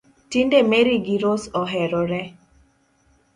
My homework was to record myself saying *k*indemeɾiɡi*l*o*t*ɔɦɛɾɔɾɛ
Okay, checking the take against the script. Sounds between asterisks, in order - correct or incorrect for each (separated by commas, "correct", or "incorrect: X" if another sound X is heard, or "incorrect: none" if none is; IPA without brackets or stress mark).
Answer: incorrect: t, incorrect: ɾ, incorrect: s